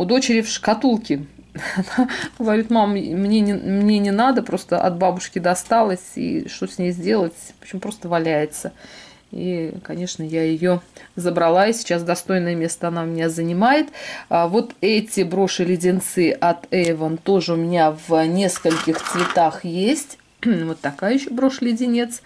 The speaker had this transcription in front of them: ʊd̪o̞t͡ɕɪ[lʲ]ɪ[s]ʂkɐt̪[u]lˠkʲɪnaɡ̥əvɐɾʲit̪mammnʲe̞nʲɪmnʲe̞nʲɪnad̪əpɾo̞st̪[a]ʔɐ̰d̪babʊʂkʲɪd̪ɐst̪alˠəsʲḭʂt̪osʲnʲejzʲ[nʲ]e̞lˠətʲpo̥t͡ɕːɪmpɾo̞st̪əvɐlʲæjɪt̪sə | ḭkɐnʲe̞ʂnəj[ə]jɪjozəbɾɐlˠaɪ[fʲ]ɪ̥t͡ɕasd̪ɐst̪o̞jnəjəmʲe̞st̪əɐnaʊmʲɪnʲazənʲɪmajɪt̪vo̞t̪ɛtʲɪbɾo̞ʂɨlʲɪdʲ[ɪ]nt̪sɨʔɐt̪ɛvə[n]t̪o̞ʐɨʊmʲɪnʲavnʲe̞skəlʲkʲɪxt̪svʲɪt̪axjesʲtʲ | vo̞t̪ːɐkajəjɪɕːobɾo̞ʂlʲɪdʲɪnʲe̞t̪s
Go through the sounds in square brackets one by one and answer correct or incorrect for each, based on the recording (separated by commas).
incorrect, incorrect, correct, incorrect, incorrect, incorrect, incorrect, correct, correct